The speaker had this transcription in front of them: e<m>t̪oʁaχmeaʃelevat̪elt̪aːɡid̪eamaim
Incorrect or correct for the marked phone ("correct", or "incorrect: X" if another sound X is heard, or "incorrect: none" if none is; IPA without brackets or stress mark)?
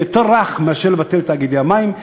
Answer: incorrect: none